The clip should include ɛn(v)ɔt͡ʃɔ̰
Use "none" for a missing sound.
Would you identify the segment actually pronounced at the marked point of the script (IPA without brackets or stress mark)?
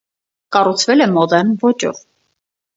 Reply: v